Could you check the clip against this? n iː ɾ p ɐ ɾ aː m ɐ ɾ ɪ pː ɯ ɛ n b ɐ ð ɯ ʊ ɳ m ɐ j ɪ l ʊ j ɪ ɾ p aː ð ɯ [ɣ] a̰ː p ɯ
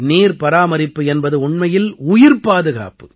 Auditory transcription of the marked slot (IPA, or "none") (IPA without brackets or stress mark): ɣ